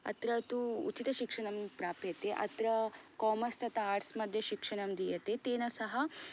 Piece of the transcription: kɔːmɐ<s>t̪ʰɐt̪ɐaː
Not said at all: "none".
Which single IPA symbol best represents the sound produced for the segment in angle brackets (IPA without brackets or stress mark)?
s